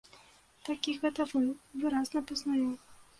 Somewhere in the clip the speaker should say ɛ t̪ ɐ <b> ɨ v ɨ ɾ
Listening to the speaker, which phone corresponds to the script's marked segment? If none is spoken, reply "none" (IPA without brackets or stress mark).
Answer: v